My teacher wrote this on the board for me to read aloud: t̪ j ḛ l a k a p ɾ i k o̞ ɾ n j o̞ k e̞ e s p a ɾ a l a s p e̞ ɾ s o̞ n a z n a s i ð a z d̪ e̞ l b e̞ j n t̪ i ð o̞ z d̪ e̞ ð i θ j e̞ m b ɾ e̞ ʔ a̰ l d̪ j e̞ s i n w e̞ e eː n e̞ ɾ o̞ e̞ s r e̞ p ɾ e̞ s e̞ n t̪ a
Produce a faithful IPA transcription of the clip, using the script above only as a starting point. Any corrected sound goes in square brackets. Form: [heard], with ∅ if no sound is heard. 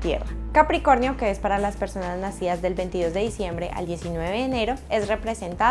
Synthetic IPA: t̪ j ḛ [r] a k a p ɾ i k o̞ ɾ n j o̞ k e̞ e s p a ɾ a l a s p e̞ ɾ s o̞ n a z n a s i ð a z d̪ e̞ l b e̞ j n t̪ i ð o̞ z d̪ e̞ ð i [s] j e̞ m b ɾ e̞ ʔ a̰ l d̪ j e̞ s i n w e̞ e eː n e̞ ɾ o̞ e̞ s r e̞ p ɾ e̞ s e̞ n t̪ a